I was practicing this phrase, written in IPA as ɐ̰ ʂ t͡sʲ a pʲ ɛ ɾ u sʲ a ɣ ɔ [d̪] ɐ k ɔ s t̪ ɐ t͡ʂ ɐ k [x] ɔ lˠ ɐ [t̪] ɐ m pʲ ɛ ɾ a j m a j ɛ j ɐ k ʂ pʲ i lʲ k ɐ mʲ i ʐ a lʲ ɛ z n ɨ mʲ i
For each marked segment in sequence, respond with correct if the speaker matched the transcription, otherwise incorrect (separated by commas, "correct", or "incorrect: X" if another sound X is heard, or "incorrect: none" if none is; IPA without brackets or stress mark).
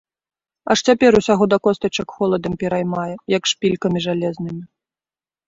correct, correct, incorrect: d̪